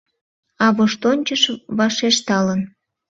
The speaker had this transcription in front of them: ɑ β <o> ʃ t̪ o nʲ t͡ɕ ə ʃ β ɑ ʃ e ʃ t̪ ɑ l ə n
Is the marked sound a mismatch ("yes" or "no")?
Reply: no